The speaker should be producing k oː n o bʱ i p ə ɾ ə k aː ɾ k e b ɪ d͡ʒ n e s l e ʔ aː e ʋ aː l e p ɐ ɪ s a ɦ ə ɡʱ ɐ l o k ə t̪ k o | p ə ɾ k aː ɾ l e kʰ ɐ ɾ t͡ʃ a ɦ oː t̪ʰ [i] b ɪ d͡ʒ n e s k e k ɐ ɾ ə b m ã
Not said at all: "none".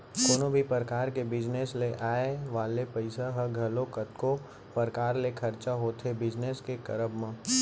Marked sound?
e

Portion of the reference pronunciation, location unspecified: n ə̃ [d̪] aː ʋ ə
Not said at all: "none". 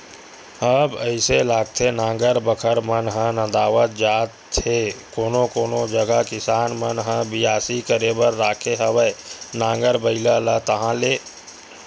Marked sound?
d̪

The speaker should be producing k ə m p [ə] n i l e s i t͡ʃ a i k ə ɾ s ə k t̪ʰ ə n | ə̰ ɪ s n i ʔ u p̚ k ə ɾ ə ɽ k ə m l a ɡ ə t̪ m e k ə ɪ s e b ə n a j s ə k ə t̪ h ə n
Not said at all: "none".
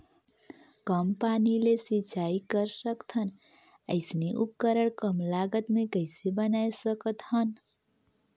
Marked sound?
a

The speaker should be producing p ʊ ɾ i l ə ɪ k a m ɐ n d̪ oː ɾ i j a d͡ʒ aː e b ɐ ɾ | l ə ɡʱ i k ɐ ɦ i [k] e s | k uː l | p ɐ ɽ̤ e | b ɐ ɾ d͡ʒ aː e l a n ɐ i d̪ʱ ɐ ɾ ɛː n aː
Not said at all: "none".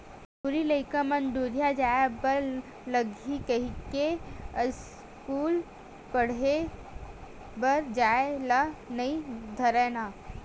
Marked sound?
k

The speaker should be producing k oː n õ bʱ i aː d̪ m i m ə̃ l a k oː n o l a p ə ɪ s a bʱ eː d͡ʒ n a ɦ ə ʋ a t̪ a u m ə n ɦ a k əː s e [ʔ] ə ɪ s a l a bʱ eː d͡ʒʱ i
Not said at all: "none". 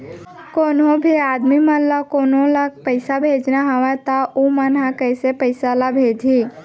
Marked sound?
p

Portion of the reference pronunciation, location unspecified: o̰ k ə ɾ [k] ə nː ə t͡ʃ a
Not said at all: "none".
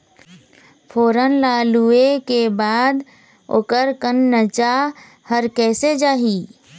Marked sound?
k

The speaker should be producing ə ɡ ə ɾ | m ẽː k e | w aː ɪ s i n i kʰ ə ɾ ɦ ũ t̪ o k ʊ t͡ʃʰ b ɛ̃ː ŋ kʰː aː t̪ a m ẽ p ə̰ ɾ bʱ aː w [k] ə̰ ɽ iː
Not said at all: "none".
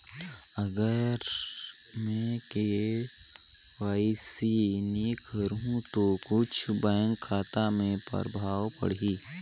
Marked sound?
p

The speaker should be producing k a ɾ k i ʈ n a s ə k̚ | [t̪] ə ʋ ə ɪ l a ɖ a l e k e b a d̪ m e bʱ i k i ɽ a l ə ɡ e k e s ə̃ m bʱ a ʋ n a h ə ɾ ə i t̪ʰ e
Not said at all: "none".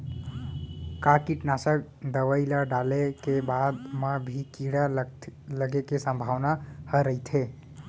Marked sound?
d̪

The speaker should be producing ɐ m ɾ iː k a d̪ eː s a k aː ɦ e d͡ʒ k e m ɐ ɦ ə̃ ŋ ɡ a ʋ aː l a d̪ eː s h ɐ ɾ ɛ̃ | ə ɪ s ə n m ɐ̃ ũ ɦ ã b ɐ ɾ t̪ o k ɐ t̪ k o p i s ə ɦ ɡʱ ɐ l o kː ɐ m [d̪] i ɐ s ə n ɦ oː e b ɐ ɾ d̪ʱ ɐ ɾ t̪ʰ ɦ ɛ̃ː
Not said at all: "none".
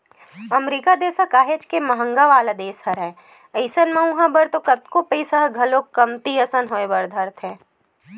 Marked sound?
t̪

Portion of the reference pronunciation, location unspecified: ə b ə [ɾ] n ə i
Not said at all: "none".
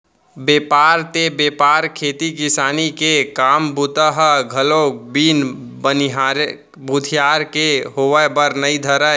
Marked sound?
ɾ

